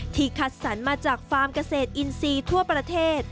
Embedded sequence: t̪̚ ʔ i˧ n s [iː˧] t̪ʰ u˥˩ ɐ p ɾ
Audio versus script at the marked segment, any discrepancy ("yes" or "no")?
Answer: no